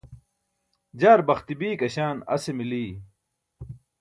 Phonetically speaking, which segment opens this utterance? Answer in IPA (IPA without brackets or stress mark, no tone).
d͡ʑ